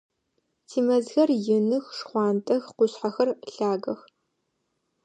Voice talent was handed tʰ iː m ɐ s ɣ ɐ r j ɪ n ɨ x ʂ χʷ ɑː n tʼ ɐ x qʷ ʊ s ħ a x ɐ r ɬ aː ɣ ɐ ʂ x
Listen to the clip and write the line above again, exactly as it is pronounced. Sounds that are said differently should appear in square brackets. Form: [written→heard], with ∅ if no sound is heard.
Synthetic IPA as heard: tʰ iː m ɐ [s→z] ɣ ɐ r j ɪ n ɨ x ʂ χʷ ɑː n tʼ ɐ x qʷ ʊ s ħ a x ɐ r ɬ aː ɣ ɐ [ʂ→∅] x